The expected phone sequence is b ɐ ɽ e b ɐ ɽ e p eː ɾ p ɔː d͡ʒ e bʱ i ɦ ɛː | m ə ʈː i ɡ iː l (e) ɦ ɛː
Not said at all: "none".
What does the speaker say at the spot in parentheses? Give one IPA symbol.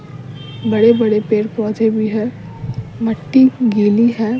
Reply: i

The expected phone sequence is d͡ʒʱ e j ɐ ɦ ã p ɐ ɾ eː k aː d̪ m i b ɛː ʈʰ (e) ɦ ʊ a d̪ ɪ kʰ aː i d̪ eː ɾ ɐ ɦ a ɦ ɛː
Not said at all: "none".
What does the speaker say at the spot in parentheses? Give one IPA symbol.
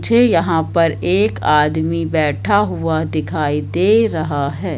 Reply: a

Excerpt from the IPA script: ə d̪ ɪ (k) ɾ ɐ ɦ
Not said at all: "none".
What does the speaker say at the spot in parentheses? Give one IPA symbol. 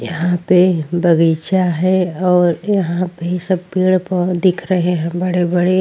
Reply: kʰ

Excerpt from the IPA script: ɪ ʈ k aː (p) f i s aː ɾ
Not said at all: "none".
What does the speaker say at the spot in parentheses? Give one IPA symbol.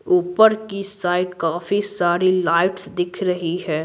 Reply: none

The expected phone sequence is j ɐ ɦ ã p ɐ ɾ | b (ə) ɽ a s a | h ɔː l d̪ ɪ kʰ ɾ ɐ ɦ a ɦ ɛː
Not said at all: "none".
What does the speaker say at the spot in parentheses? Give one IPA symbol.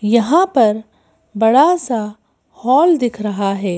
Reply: ɐ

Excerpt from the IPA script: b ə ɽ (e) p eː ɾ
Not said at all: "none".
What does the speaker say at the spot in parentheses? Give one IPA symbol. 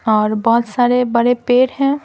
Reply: e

